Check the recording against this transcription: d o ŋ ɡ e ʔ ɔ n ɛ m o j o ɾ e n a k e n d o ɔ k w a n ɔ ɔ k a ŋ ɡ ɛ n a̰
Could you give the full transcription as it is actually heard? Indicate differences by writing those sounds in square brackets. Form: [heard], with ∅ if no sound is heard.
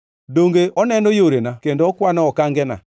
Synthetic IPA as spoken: d o ŋ ɡ e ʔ ɔ n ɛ [n] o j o ɾ e n a k e n d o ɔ k w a n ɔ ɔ k a ŋ ɡ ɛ n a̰